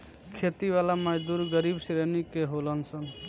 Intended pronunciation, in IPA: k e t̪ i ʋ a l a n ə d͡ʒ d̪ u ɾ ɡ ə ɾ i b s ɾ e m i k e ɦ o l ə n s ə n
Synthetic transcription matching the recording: kʰ e t̪ i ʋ a l a m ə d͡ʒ d̪ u ɾ ɡ ə ɾ i b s ɾ e n i k e ɦ o l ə n s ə n

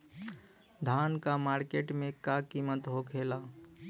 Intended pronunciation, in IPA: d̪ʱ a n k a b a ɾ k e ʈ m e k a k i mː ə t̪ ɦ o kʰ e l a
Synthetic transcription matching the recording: d̪ʱ a n k a m a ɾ k e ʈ m e k a k i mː ə t̪ ɦ o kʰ e l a

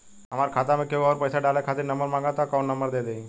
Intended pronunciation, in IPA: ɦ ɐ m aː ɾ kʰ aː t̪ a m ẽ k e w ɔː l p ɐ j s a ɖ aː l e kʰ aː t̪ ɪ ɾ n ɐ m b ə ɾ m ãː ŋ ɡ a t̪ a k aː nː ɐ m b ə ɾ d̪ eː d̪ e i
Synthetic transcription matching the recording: ɦ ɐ m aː ɾ kʰ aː t̪ a m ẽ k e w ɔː ɾ p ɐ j s a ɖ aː l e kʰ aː t̪ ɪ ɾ n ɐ m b ə ɾ m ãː ŋ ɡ a t̪ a k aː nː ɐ m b ə ɾ d̪ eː d̪ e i

